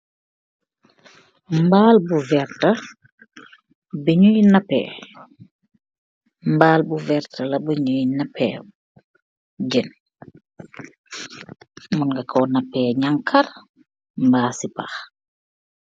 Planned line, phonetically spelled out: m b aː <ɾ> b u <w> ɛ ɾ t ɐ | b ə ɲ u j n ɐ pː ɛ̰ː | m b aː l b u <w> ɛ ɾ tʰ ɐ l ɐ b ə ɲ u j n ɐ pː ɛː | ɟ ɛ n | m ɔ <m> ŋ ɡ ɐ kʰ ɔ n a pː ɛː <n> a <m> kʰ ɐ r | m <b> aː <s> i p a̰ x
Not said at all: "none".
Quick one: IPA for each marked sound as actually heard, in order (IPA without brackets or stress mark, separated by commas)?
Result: l, v, v, n, ɲ, ŋ, b, s